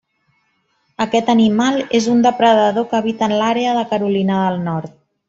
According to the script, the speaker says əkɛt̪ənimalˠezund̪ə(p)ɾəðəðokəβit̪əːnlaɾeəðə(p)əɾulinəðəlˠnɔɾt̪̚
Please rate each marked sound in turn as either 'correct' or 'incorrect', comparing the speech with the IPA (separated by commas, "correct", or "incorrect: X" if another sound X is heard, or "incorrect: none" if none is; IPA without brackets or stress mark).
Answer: correct, incorrect: k